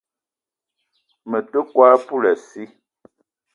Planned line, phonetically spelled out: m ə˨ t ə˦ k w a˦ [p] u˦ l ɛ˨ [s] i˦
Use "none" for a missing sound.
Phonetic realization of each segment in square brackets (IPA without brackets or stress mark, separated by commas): p, s